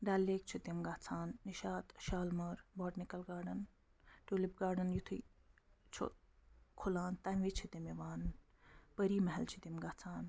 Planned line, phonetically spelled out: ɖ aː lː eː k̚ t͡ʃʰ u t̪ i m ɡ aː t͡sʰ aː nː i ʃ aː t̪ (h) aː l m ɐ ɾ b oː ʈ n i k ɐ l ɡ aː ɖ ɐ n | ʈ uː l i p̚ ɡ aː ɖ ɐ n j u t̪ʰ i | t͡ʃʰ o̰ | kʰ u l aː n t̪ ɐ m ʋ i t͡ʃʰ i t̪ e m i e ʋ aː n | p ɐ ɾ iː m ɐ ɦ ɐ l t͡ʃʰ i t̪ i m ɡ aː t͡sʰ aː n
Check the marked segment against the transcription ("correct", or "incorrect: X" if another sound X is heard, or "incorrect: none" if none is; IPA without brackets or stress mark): incorrect: ʃ